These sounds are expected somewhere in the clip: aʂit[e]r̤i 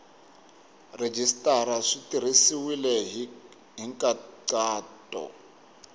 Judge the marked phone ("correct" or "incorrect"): incorrect